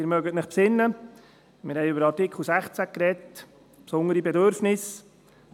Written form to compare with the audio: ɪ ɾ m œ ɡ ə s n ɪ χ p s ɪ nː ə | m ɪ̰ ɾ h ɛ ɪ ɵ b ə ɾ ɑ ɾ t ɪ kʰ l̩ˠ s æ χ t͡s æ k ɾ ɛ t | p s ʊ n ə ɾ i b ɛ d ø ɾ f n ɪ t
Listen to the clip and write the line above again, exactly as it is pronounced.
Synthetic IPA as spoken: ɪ ɾ m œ ɡ ə t n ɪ χ p s ɪ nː ə | m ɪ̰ ɾ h ɛ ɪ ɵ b ə ɾ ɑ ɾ t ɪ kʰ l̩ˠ s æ χ t͡s æ k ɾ ɛ t | p s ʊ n ə ɾ i b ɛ d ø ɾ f n ɪ s